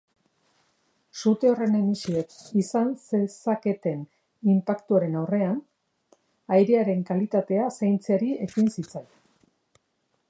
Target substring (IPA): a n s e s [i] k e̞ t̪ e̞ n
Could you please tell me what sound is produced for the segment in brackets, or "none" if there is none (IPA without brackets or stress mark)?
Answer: a